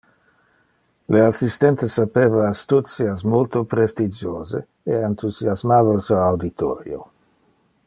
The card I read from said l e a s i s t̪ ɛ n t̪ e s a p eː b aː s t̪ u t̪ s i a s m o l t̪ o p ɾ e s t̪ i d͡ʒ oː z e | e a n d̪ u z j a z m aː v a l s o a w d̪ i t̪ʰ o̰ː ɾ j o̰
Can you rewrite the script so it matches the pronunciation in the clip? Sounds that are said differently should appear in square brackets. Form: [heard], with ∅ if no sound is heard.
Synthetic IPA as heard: l e a s i s t̪ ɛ n t̪ e s a p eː [v] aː s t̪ u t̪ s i a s m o l t̪ o p ɾ e s t̪ i d͡ʒ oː z e | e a n [t̪] u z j a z m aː v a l s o a w d̪ i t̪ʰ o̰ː ɾ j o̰